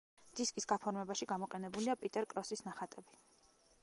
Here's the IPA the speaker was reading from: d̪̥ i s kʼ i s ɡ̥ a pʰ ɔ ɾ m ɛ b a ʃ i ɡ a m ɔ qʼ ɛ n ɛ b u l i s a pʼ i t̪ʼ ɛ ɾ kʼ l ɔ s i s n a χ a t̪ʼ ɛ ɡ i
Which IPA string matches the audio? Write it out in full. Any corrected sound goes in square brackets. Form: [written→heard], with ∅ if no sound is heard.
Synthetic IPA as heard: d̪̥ i s kʼ i s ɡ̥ a pʰ ɔ ɾ m ɛ b a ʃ i ɡ a m ɔ qʼ ɛ n ɛ b u l i [s→∅] a pʼ i t̪ʼ ɛ ɾ kʼ [l→ɾ] ɔ s i s n a χ a t̪ʼ ɛ [ɡ→b] i